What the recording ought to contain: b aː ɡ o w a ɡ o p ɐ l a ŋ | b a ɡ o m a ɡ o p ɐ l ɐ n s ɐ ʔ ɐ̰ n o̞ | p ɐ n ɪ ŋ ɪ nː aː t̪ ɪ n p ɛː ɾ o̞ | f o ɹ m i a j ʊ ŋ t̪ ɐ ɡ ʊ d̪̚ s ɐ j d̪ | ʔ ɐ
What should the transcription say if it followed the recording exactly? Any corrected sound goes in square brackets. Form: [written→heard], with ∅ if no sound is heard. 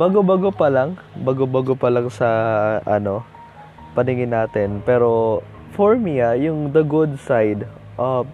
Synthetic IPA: b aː ɡ o [w→b] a ɡ o p ɐ l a ŋ | b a ɡ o [m→b] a ɡ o p ɐ l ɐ [n→ŋ] s ɐ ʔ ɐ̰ n o̞ | p ɐ n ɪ ŋ ɪ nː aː t̪ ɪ n p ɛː ɾ o̞ | f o ɹ m i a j ʊ ŋ [t̪→d̪] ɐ ɡ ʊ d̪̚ s [ɐ→a] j d̪ | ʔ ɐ